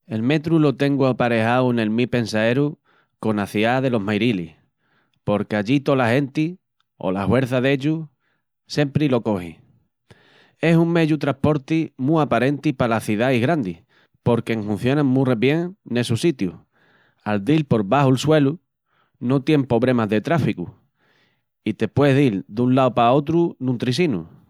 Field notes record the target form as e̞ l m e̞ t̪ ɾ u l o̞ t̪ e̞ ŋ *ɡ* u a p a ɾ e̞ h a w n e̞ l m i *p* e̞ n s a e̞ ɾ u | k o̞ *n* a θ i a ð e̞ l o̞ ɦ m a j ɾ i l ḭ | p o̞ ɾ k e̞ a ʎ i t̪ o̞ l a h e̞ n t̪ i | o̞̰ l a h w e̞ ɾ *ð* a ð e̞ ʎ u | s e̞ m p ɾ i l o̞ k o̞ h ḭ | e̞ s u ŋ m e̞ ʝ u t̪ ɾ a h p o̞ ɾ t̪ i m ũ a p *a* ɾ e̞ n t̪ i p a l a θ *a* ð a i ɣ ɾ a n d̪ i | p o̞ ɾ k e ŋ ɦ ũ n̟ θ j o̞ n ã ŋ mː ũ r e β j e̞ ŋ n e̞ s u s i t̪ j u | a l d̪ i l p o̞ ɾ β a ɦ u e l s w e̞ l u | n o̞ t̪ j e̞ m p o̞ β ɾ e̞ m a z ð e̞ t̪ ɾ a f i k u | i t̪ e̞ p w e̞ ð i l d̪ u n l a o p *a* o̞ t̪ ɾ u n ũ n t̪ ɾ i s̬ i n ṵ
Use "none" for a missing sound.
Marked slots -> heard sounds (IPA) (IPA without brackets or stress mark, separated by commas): ɡ, p, n, θ, a, i, a